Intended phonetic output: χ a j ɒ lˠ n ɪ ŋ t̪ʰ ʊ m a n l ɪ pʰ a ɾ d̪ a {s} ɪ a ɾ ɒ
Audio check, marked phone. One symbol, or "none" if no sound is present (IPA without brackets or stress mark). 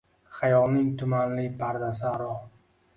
s